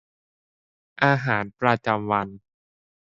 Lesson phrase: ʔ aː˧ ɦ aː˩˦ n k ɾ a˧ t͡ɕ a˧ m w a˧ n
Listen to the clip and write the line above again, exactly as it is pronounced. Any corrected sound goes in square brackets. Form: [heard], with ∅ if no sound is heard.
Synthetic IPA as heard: ʔ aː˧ ɦ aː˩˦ n [p] ɾ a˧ t͡ɕ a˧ m w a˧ n